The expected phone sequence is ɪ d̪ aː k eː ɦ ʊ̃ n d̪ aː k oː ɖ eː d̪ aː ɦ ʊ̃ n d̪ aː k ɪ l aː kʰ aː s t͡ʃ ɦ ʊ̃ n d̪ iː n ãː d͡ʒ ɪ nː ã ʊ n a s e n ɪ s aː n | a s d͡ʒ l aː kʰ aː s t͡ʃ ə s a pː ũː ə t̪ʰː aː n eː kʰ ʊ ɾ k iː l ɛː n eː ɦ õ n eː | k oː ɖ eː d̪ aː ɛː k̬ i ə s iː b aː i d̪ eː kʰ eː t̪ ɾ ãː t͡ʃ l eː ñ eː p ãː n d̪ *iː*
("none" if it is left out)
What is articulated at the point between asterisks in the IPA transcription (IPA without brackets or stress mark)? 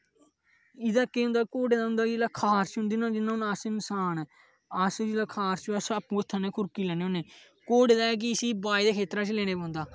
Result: aː